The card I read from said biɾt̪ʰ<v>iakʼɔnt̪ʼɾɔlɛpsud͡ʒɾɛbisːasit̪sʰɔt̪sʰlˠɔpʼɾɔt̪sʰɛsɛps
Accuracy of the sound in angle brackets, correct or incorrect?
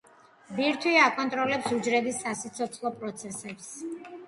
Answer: incorrect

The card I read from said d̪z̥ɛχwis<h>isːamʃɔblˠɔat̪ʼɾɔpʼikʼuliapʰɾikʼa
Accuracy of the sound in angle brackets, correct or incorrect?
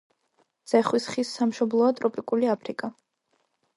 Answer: incorrect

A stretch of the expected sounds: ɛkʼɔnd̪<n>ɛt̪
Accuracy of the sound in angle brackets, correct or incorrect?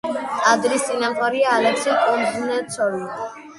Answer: correct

